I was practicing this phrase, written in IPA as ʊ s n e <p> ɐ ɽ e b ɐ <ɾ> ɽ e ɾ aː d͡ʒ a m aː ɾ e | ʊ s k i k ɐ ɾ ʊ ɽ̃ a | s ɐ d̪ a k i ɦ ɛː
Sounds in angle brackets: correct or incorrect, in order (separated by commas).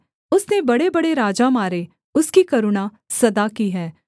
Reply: incorrect, incorrect